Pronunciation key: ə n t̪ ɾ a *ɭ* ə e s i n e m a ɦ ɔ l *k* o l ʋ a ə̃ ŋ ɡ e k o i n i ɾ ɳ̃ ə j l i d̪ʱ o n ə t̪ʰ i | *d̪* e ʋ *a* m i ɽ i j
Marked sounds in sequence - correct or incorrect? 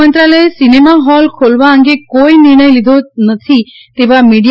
incorrect: l, incorrect: kʰ, incorrect: t̪, correct

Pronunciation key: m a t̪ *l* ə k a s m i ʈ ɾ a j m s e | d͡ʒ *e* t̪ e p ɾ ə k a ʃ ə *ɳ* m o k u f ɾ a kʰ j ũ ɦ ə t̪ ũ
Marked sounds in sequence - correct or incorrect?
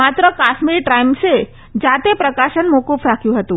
incorrect: ɾ, incorrect: a, incorrect: n

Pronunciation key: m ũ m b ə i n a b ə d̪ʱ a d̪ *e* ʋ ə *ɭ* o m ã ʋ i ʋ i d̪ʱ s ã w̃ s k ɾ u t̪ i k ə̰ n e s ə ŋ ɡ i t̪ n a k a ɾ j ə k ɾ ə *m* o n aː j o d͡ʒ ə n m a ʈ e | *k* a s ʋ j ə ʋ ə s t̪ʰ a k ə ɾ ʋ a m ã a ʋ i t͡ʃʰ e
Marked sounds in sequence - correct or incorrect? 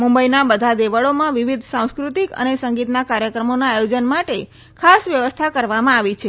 correct, correct, correct, incorrect: kʰ

